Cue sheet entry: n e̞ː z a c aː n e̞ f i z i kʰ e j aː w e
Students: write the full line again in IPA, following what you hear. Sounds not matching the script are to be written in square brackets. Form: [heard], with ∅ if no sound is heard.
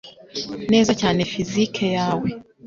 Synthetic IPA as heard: n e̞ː z a c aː n e̞ f i z i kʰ e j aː w e